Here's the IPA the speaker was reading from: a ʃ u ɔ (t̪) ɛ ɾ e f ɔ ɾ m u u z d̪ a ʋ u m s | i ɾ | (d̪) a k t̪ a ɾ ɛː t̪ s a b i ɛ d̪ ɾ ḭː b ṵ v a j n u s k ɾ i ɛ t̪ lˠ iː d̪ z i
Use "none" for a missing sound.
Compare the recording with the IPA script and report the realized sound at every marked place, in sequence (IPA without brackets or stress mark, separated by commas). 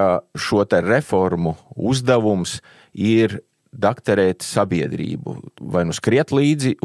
t̪, d̪